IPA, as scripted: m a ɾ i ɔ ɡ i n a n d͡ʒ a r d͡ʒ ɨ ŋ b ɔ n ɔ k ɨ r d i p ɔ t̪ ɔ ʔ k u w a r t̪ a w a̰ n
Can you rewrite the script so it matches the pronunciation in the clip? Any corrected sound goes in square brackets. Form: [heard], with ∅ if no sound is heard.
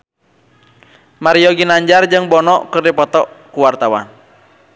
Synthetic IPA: m a ɾ i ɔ ɡ i n a [ɲ] d͡ʒ a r d͡ʒ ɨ ŋ b ɔ n ɔ k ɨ r d i p ɔ t̪ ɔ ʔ k u w a r t̪ a w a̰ n